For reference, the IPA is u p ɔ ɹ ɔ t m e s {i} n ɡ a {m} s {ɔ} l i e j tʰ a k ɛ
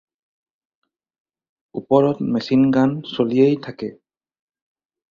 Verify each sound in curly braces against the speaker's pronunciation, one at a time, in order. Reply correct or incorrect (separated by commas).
correct, incorrect, incorrect